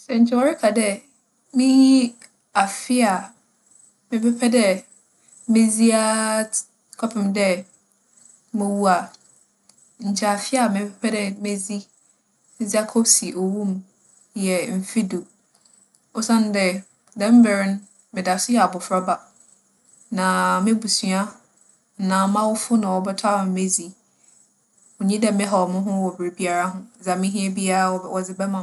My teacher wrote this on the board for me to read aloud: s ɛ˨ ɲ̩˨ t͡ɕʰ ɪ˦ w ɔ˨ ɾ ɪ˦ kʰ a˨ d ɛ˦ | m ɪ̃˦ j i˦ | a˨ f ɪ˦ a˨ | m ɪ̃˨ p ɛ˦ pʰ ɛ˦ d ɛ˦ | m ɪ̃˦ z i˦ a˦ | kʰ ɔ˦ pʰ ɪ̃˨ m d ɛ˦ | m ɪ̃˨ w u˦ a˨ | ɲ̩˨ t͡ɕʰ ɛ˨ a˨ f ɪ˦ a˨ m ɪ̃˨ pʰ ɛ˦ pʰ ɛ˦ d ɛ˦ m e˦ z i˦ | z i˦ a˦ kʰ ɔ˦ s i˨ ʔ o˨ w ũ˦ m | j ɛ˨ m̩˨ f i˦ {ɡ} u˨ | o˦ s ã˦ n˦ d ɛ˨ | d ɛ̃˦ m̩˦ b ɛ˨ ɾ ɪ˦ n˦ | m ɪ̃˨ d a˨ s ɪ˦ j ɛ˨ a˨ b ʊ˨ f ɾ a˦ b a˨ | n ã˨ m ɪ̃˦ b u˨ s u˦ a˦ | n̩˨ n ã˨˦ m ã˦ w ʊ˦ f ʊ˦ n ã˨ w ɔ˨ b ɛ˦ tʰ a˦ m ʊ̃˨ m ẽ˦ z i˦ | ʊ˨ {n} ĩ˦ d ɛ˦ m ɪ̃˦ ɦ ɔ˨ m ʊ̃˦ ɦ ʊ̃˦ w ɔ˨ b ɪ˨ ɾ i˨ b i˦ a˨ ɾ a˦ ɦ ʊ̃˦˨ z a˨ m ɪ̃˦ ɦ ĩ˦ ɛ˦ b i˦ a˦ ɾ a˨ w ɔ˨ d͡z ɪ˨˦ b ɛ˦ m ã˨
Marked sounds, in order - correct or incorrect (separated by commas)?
incorrect, incorrect